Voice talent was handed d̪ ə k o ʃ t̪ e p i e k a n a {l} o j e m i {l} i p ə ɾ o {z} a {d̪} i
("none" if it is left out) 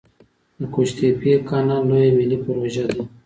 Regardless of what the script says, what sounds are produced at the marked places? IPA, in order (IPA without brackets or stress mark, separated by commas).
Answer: l, l, ʒ, d̪